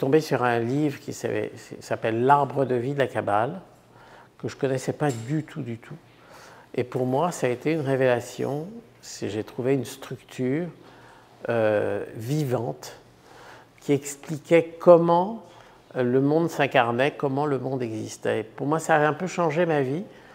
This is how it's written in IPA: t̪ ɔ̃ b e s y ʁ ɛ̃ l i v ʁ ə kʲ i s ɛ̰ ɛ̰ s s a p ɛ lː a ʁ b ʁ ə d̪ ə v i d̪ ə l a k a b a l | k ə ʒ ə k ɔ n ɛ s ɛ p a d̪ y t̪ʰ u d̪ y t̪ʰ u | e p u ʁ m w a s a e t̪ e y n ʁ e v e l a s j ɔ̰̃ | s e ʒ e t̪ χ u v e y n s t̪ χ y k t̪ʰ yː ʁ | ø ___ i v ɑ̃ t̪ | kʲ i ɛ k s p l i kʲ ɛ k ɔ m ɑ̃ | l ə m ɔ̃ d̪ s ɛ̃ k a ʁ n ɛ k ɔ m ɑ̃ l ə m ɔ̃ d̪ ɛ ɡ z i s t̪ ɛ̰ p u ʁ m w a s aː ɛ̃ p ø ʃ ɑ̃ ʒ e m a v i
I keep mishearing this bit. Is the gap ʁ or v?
v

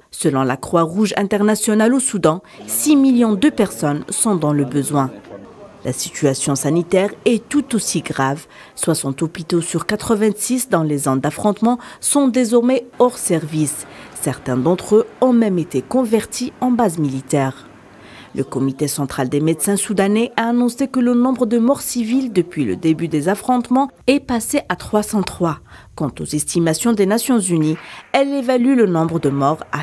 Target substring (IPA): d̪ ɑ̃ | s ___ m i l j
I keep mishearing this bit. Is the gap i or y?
i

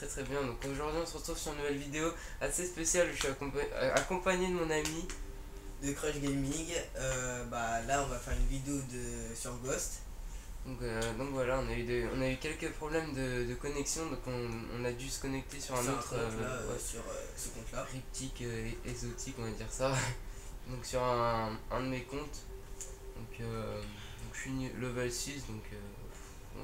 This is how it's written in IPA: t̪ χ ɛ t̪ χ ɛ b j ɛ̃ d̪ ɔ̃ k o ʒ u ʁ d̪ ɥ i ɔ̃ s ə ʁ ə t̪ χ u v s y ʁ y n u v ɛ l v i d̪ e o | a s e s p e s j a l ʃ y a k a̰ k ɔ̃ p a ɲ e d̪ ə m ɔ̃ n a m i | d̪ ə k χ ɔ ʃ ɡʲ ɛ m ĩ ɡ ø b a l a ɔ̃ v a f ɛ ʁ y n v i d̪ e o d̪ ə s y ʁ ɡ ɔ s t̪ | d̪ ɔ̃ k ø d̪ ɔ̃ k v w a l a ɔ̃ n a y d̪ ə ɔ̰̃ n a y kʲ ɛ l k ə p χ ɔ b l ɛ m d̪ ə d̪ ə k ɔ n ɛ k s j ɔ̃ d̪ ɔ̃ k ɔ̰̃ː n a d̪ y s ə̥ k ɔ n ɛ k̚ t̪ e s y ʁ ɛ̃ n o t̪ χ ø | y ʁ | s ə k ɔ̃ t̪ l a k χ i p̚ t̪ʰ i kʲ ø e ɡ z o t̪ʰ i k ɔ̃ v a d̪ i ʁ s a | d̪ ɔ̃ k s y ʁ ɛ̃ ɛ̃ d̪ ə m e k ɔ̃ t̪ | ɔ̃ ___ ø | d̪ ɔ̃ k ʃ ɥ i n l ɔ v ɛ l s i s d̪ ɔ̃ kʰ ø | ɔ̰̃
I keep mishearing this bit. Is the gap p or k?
k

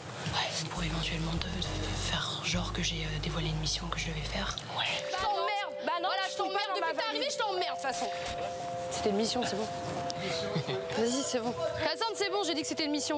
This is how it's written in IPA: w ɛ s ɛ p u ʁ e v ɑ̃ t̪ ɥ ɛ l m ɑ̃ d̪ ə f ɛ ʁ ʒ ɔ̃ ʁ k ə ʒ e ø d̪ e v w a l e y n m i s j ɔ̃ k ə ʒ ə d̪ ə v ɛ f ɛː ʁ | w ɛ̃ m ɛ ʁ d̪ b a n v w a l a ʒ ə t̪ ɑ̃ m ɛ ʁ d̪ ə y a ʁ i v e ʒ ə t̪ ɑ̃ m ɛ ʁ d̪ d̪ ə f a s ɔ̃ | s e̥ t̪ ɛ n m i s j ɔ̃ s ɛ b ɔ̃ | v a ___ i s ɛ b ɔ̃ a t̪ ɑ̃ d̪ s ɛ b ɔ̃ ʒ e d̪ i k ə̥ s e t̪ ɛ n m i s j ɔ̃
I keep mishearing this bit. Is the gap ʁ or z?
z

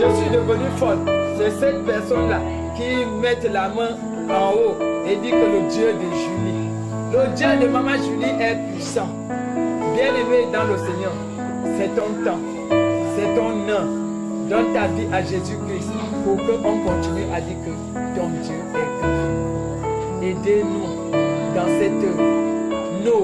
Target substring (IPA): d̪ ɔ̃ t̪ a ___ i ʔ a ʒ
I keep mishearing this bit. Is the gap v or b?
v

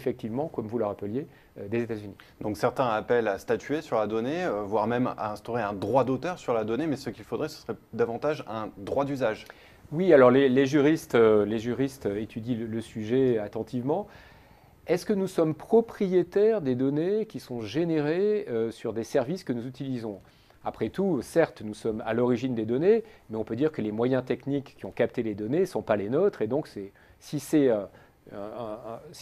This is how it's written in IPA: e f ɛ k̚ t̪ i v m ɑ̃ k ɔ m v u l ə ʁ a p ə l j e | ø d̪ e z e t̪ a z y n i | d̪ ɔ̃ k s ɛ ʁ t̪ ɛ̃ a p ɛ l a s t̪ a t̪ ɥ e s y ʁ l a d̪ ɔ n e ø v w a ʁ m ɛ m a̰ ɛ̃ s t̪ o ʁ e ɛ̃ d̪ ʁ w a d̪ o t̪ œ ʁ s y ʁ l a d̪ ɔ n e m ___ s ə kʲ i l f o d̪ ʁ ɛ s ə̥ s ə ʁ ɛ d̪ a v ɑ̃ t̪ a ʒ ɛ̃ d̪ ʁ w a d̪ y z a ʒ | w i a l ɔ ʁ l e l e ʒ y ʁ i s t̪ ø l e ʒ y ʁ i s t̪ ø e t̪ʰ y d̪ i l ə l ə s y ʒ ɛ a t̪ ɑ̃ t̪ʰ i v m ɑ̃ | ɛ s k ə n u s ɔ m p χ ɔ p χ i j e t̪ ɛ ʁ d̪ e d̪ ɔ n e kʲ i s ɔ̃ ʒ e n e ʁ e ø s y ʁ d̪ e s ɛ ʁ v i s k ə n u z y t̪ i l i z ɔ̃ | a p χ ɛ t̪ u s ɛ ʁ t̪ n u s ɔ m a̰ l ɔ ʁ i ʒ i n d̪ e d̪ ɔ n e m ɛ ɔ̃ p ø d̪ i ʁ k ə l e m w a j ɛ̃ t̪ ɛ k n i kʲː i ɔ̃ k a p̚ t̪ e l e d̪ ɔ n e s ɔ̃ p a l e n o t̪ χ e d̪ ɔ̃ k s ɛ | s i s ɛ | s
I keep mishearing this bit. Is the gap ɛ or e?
ɛ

